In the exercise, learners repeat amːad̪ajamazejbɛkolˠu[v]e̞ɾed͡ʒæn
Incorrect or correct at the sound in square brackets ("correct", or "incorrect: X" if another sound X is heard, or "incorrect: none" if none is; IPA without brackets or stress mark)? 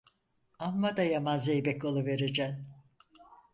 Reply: correct